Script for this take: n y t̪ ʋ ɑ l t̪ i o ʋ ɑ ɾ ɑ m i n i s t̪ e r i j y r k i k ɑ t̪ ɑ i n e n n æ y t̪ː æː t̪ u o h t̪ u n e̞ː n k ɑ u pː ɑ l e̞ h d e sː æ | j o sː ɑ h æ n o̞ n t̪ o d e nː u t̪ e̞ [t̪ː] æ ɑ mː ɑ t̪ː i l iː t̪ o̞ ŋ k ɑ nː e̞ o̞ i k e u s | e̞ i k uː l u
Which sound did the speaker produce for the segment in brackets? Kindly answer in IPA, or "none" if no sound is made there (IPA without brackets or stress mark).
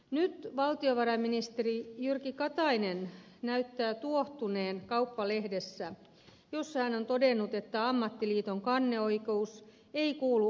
t̪ː